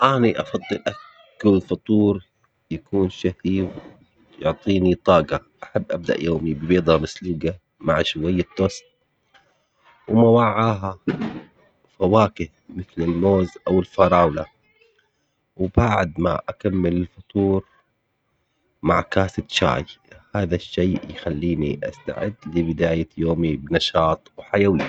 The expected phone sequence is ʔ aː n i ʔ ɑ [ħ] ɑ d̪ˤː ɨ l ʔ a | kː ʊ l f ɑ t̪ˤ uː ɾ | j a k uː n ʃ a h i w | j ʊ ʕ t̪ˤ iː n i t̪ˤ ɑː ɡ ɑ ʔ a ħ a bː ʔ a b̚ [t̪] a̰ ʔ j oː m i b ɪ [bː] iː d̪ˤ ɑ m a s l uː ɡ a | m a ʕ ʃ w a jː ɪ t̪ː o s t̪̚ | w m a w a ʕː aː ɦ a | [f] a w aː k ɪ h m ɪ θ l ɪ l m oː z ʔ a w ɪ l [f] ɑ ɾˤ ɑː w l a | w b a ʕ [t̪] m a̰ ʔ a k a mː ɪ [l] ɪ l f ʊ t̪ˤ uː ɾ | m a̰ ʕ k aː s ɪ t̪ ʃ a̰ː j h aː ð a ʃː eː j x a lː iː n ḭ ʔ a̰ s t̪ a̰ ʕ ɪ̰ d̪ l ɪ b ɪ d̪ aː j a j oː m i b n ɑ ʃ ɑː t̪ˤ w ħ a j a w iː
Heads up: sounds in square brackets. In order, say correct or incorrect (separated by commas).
incorrect, incorrect, incorrect, correct, correct, incorrect, correct